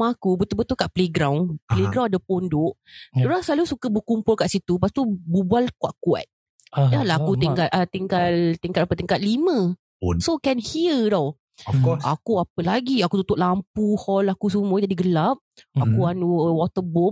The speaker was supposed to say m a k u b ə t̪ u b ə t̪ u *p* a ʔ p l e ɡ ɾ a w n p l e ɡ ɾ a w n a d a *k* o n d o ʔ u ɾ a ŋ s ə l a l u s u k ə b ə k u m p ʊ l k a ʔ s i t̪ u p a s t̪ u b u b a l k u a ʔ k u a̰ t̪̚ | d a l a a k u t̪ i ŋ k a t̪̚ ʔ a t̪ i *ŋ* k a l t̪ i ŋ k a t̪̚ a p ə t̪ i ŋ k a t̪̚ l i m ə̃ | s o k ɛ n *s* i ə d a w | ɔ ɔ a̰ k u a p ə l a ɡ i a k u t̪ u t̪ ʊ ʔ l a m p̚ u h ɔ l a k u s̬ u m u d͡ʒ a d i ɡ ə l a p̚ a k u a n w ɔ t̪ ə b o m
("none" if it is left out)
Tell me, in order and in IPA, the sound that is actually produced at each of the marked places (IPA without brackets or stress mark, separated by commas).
k, p, ŋ, h